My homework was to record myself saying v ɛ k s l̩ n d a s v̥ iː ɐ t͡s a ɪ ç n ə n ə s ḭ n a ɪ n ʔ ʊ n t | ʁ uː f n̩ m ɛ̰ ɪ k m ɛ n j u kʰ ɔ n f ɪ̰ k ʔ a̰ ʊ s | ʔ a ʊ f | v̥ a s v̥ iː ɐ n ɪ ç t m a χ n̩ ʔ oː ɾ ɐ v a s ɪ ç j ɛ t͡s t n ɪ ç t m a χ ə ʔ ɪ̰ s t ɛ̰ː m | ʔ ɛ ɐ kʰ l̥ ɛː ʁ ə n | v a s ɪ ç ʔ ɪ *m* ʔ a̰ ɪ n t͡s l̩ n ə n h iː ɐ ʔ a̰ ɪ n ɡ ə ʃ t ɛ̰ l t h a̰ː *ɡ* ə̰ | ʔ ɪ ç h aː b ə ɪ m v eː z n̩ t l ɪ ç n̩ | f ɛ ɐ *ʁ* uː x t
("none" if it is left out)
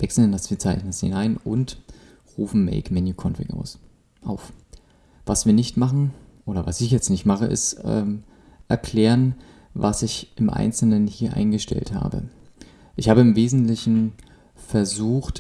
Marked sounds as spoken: m, b, z

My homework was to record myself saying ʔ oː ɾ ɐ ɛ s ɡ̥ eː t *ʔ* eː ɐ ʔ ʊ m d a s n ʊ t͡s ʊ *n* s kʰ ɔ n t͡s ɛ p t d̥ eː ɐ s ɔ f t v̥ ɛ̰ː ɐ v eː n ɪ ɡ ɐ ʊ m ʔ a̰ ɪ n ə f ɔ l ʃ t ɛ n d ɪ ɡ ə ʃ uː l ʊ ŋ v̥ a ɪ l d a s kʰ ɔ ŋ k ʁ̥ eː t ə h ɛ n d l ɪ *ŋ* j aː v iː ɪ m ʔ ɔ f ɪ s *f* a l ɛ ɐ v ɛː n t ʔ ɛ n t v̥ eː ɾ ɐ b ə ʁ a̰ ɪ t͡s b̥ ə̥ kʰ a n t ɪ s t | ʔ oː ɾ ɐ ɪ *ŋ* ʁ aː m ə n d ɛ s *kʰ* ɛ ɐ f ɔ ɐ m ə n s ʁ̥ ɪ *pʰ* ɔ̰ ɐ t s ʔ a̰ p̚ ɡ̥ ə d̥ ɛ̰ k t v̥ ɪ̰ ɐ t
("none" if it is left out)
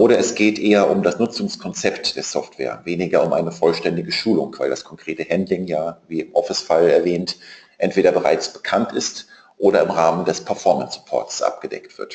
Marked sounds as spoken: ʔ, ŋ, ŋ, f, m, pʰ, pʰ

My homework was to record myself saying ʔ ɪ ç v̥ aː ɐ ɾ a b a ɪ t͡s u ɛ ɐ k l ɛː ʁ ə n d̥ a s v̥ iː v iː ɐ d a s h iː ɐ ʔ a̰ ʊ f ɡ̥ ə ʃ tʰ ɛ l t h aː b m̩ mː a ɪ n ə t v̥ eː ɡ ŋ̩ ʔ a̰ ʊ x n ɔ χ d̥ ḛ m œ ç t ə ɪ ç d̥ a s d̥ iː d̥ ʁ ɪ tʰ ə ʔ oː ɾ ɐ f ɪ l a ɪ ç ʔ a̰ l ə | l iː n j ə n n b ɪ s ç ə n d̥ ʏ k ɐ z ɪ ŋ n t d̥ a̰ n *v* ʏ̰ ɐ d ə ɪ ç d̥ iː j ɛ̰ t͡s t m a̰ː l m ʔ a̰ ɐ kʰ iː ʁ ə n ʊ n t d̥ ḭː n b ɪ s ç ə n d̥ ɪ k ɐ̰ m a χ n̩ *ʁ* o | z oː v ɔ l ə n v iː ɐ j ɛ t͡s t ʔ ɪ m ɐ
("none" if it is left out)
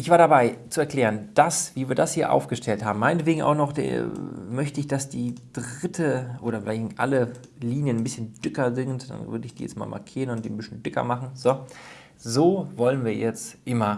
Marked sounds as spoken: v, z

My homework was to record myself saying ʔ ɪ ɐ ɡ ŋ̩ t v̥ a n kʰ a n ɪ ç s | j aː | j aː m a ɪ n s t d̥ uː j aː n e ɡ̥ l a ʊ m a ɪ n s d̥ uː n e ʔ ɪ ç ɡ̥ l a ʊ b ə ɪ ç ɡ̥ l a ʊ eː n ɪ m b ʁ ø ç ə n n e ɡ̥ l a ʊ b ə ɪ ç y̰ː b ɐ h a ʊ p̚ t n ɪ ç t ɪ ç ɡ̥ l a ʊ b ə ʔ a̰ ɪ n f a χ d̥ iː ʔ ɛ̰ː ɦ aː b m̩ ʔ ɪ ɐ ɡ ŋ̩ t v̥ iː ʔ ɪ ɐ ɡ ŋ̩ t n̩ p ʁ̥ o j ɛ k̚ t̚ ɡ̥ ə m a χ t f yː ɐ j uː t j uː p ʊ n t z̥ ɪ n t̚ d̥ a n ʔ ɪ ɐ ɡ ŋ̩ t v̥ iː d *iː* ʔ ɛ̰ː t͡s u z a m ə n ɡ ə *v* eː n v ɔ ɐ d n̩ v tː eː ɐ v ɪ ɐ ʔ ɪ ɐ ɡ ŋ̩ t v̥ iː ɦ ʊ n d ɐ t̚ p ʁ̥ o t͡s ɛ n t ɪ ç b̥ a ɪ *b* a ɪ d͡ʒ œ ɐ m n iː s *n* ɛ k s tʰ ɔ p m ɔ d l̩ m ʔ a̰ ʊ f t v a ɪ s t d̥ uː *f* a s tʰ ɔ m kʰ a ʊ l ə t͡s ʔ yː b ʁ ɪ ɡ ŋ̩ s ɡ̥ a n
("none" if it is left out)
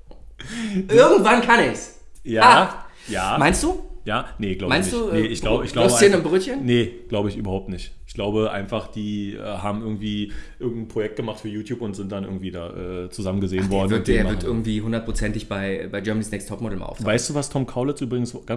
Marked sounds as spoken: aː, z, b, n, v

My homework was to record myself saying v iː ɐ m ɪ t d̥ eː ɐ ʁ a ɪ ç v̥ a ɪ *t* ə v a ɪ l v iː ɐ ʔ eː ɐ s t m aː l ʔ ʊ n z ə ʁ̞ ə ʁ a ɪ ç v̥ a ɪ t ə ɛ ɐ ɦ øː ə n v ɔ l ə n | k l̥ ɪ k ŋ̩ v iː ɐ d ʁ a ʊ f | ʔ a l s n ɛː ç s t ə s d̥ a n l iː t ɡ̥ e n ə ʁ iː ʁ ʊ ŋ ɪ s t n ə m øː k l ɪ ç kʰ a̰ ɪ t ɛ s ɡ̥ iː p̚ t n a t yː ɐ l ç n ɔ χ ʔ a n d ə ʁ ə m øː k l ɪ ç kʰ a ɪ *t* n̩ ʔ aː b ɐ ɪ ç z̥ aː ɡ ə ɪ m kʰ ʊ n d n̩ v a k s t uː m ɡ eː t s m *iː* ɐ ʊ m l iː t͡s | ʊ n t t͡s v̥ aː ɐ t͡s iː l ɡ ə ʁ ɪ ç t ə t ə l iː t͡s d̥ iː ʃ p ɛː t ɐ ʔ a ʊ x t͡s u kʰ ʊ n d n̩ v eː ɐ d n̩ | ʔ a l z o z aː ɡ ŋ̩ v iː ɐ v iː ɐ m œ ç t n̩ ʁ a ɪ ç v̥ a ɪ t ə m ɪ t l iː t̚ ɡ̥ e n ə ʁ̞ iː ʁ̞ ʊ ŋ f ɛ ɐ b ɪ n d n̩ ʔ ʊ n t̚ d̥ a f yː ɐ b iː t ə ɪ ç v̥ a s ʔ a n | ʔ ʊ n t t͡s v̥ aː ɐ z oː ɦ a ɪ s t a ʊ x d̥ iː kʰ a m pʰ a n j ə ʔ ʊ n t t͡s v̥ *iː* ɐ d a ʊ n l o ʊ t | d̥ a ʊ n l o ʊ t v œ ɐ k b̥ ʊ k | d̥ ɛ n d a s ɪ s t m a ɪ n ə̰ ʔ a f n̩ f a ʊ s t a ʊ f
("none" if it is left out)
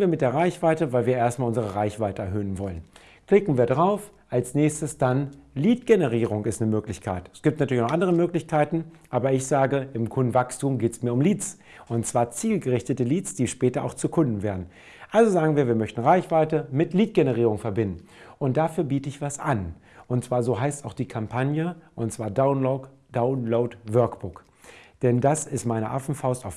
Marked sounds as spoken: t, t, iː, aː

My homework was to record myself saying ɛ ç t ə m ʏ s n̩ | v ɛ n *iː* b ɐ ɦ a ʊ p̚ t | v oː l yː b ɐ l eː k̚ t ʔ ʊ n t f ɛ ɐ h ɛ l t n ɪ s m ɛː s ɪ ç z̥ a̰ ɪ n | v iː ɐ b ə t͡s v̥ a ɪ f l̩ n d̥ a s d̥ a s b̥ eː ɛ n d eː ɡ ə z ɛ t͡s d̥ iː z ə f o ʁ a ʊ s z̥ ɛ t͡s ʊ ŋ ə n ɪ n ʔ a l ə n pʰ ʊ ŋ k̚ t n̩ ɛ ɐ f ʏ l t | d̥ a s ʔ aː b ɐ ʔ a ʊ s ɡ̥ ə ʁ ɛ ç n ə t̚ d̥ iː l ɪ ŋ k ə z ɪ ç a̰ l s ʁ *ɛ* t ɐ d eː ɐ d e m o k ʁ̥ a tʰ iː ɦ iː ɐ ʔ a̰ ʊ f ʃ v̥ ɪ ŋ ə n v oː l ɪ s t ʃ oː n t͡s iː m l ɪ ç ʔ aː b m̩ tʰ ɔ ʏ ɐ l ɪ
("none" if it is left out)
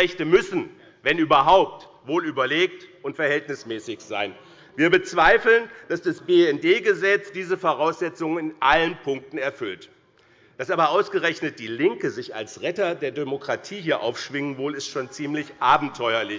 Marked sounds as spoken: yː, ɛ

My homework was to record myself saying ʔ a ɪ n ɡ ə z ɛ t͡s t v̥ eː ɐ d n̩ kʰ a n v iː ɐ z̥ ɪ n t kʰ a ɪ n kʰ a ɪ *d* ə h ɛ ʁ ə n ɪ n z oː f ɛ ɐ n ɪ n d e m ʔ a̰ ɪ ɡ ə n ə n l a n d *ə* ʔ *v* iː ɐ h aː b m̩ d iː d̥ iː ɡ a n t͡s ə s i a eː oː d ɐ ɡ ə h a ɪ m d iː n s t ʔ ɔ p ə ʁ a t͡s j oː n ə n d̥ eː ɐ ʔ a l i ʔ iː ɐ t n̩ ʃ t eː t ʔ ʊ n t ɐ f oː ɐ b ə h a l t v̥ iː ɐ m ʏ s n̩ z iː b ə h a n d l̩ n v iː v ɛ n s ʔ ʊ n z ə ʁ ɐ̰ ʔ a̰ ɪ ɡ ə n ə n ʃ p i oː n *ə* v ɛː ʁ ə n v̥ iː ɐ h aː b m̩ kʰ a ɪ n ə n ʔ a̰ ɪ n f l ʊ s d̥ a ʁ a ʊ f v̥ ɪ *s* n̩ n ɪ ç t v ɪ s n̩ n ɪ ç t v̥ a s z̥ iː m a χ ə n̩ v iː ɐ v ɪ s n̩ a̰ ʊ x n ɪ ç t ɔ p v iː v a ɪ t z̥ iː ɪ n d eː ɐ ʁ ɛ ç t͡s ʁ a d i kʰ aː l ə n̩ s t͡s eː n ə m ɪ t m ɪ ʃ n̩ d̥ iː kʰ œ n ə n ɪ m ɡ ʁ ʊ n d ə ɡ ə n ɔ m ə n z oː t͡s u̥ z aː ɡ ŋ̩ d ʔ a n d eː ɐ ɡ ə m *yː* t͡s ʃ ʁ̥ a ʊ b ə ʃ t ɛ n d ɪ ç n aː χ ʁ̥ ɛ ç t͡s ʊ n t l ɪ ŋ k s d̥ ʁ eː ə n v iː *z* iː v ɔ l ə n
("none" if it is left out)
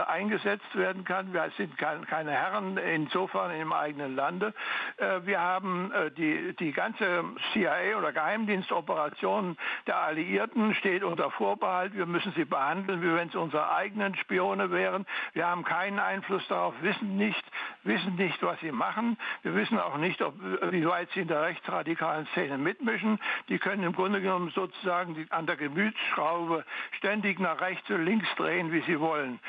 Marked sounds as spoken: n, ə, v, ə, s, yː, z

